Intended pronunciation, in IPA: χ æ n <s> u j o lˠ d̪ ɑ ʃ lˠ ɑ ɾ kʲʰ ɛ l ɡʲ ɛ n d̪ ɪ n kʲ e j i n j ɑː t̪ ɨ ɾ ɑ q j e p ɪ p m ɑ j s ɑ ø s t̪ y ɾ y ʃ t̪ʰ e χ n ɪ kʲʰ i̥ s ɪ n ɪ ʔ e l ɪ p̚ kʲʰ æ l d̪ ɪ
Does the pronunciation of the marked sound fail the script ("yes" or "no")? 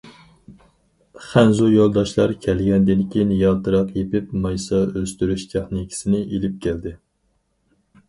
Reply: yes